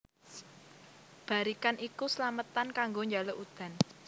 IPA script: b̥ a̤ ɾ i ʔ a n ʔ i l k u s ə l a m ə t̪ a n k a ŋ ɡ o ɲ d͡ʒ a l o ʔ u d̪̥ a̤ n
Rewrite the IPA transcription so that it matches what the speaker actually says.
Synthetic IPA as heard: b̥ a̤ ɾ i k a n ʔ i k u s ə l a m ə t̪ a n k a ŋ ɡ o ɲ d͡ʒ a l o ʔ u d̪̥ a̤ n

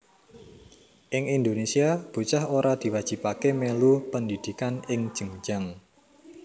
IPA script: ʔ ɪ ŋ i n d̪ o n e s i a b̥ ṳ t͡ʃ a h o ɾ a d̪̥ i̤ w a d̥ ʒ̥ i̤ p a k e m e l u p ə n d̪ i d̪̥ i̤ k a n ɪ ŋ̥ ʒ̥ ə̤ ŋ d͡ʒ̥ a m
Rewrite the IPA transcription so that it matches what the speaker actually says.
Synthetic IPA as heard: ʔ ɪ ŋ i n d̪ o n e s i a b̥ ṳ t͡ʃ a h o ɾ a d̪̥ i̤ w a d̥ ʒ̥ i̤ p a k e m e l u p ə n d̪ i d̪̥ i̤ k a n ɪ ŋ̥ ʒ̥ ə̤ ŋ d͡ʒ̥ a ŋ

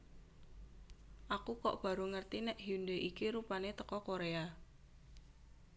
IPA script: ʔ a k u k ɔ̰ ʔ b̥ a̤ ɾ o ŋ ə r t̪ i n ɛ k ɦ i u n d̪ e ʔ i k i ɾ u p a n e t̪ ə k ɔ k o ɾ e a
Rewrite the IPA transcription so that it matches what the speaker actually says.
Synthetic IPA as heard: ʔ a k u k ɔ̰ ʔ b̥ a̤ ɾ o ŋ ə r t̪ i n ɛ ʔ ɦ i u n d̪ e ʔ i k i ɾ u p a n e t̪ ə k ɔ k o ɾ e a

